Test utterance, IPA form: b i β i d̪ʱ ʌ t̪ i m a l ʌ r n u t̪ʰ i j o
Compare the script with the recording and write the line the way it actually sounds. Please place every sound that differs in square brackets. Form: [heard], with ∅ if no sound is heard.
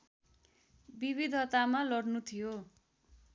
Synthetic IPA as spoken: b i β i d̪ʱ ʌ t̪ [a] m a l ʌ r n u t̪ʰ i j o